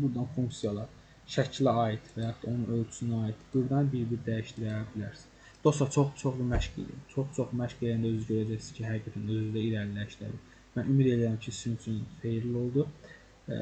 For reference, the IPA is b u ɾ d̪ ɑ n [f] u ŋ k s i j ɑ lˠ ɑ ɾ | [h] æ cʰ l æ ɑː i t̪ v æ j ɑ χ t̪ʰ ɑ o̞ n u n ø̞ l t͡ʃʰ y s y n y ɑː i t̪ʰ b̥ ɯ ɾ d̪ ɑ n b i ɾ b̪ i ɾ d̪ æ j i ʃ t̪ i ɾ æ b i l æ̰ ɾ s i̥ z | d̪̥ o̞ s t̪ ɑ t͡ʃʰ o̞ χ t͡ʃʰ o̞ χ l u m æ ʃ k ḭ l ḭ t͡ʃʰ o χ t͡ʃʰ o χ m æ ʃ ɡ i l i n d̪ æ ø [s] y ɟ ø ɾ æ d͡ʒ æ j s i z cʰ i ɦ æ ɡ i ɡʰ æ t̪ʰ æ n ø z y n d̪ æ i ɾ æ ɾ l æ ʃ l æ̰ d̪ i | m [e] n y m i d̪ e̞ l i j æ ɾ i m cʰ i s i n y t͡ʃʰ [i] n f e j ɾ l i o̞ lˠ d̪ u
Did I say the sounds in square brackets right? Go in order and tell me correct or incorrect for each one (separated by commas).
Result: correct, incorrect, incorrect, incorrect, incorrect